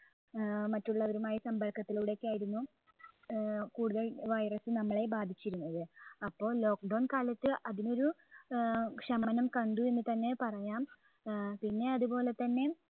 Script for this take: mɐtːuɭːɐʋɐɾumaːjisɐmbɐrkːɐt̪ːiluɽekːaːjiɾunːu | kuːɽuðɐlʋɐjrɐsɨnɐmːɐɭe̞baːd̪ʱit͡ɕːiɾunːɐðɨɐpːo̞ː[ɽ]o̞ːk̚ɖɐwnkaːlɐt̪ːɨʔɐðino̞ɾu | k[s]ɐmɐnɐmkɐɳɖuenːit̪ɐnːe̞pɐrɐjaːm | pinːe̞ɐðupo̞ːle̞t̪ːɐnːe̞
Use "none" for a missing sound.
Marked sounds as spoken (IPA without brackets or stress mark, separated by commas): l, ʂ